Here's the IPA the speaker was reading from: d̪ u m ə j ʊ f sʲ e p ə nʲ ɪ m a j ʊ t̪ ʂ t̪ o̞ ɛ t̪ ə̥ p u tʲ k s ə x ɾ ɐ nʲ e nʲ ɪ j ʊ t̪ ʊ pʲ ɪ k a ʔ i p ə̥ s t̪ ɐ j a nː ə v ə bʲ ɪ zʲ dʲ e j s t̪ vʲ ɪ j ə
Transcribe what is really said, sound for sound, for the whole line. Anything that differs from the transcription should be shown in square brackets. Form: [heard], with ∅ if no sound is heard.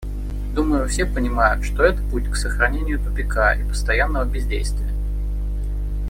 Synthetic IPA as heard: d̪ u m ə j ʊ f sʲ e p ə nʲ ɪ m a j ʊ t̪ ʂ t̪ o̞ ɛ t̪ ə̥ p u tʲ k s ə x ɾ ɐ nʲ e nʲ ɪ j ʊ t̪ ʊ pʲ ɪ k a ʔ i p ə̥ s t̪ ɐ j a nː ə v ə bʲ ɪ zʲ dʲ e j s t̪ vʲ ɪ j ə